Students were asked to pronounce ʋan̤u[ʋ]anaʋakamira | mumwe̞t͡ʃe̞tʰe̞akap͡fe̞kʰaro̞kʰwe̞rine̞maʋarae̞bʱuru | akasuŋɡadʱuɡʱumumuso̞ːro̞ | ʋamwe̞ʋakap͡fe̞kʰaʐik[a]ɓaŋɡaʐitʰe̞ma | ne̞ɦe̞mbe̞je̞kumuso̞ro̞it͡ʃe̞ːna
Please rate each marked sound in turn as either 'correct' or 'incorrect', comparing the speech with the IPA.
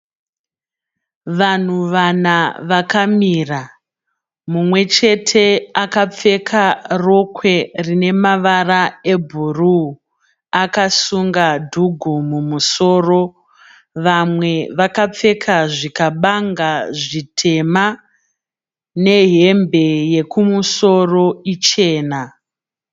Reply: correct, correct

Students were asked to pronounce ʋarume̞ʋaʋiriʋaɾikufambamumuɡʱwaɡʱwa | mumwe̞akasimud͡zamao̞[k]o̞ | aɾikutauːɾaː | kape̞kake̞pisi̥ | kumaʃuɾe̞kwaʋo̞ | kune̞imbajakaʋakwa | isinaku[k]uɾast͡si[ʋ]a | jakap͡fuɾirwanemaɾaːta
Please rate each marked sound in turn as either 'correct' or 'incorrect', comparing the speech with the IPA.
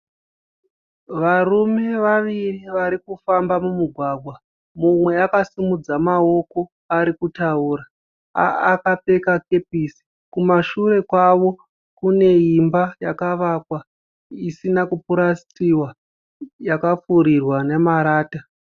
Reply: correct, incorrect: p, incorrect: w

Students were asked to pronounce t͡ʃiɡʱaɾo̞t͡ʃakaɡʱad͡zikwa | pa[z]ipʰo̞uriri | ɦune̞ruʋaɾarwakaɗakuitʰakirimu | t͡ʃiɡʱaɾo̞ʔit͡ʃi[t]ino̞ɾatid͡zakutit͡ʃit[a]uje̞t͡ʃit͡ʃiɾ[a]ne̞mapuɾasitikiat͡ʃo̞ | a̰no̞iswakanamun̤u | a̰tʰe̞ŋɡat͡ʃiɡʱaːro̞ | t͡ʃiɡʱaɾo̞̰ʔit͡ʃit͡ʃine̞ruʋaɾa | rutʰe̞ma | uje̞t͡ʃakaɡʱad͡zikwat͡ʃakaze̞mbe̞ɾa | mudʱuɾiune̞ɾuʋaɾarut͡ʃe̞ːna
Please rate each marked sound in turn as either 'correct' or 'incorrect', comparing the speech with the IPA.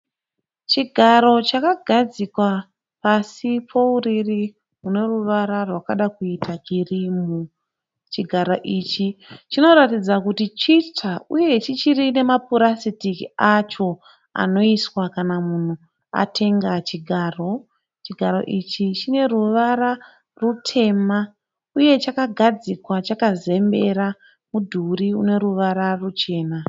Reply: incorrect: s, incorrect: t͡ʃ, correct, incorrect: i

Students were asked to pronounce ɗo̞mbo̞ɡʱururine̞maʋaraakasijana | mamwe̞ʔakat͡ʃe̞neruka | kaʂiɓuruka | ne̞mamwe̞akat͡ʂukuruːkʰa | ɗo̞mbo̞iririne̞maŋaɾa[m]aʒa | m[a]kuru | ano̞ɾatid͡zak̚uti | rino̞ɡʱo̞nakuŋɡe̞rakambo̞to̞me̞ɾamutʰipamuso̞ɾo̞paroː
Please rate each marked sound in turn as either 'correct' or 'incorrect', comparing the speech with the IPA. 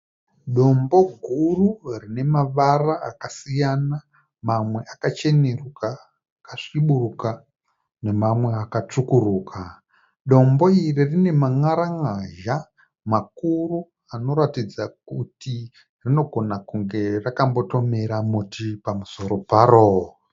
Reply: incorrect: ŋ, correct

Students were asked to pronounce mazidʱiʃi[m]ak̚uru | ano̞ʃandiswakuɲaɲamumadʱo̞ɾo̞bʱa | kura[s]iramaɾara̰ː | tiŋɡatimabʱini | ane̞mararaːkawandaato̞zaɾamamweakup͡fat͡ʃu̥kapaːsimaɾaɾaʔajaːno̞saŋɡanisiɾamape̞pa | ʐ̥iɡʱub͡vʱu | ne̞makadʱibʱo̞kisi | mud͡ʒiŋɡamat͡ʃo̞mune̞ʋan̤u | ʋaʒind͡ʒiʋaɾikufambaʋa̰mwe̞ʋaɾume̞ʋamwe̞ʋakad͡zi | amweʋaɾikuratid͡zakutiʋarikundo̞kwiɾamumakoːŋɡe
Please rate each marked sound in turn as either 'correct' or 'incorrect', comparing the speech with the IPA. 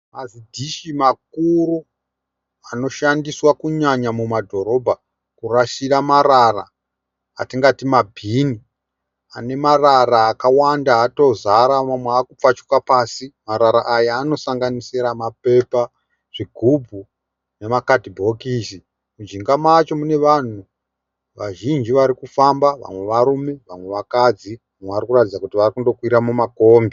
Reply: correct, incorrect: ʃ

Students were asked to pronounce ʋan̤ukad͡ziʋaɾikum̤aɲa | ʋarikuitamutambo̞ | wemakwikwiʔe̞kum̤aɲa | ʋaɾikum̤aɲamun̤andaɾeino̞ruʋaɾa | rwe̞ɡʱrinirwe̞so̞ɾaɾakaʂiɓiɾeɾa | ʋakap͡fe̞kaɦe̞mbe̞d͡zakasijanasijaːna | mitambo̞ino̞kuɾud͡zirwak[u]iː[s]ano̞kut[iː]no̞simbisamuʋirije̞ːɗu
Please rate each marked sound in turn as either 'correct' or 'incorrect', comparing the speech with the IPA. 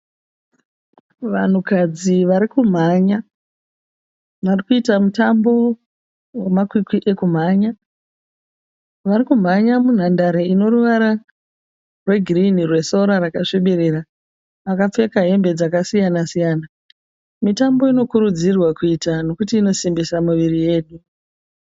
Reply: correct, incorrect: t, correct

